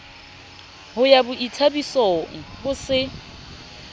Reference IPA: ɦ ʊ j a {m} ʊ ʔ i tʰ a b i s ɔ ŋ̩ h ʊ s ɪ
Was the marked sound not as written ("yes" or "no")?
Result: yes